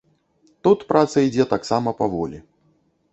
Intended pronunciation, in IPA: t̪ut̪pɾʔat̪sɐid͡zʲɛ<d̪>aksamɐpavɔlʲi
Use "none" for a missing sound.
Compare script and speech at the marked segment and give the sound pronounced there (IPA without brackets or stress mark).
t̪